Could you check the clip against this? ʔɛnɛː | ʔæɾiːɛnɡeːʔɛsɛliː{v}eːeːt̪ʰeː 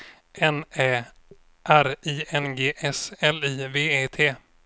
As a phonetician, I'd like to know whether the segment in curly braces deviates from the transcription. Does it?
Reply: no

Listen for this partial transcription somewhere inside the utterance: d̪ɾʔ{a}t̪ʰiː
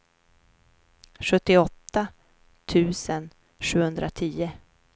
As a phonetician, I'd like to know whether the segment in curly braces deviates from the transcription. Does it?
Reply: no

